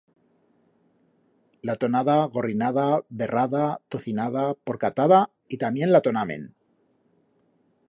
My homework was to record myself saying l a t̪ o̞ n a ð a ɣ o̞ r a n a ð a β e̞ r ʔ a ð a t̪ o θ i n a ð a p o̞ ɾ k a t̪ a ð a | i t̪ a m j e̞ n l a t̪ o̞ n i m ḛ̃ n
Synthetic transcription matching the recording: l a t̪ o̞ n a ð a ɣ o̞ r i n a ð a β e̞ r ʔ a ð a t̪ o θ i n a ð a p o̞ ɾ k a t̪ a ð a | i t̪ a m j e̞ n l a t̪ o̞ n a m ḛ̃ n